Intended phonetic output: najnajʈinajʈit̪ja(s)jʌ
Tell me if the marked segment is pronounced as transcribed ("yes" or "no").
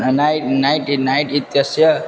yes